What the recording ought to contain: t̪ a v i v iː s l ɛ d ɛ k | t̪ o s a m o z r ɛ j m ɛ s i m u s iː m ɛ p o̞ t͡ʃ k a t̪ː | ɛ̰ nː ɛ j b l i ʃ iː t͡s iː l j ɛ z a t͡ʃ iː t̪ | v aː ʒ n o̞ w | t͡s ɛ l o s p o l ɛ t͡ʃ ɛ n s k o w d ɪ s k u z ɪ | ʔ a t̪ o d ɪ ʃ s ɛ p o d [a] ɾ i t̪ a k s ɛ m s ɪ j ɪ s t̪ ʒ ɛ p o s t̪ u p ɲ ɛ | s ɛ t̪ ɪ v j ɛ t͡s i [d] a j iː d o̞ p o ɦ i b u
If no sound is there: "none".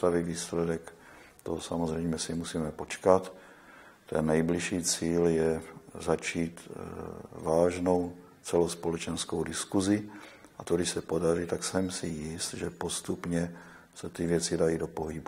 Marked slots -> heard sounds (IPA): a, d

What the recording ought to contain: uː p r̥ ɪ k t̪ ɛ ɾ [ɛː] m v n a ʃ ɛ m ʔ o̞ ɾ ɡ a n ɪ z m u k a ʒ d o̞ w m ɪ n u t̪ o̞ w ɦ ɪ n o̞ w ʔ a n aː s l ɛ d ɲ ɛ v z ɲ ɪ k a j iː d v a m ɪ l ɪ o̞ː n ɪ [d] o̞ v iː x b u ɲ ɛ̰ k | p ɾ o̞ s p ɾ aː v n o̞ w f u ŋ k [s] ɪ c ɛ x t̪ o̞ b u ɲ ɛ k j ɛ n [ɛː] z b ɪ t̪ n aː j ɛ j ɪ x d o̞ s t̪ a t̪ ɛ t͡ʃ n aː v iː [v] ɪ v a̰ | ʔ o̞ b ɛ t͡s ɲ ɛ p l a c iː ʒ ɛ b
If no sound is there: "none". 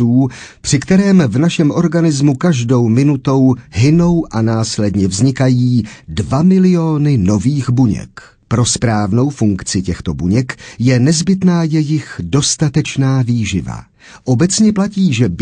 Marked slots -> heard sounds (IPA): ɛː, n, t͡s, ɛ, ʒ

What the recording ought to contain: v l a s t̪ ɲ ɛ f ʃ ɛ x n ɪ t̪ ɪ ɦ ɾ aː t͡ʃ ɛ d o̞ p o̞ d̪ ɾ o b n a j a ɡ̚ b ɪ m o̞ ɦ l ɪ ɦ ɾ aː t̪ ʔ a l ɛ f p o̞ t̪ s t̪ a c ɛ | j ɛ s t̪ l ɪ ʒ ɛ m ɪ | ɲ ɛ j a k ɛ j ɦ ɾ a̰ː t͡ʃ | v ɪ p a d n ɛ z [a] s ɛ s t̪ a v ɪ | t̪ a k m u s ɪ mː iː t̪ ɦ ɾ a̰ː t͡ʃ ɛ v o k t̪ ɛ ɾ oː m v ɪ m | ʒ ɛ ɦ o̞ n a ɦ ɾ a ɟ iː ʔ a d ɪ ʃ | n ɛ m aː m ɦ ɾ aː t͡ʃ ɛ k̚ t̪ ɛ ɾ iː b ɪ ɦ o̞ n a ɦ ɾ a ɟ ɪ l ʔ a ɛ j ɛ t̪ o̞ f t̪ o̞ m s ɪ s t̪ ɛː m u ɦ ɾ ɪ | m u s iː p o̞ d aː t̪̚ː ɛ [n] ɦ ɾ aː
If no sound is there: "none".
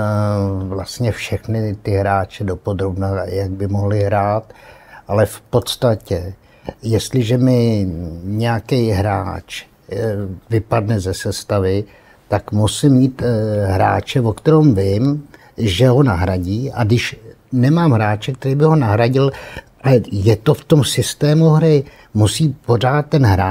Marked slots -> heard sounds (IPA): ɛ, n

